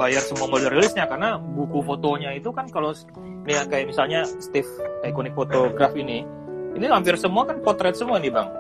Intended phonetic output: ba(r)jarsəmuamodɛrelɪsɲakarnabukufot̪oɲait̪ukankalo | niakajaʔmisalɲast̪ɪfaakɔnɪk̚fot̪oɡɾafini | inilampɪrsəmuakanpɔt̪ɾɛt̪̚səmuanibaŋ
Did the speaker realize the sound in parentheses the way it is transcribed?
no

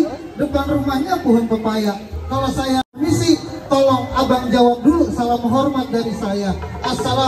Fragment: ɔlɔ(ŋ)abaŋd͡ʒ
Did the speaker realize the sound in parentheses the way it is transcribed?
yes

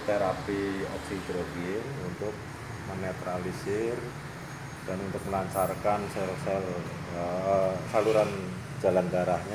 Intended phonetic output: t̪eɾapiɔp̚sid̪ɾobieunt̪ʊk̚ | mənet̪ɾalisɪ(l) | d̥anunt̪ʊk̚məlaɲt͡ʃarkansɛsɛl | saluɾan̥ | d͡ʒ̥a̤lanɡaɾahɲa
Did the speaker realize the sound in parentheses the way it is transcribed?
no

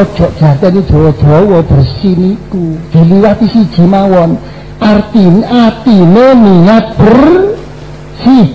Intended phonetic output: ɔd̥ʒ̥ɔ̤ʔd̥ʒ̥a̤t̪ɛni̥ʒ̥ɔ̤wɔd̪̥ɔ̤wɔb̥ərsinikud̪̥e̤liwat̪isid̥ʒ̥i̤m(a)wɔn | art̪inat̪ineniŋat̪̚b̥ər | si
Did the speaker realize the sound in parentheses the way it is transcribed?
yes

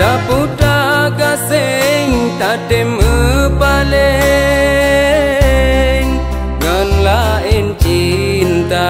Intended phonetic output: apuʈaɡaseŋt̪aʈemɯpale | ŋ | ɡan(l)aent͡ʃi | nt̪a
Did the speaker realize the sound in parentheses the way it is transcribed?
yes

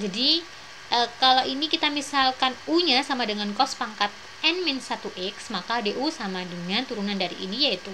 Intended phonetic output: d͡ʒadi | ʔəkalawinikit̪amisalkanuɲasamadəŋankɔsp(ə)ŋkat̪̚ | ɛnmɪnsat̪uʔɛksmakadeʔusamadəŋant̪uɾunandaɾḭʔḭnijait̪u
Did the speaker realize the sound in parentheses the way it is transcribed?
no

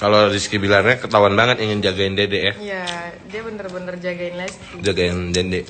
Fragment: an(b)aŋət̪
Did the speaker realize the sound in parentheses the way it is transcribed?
yes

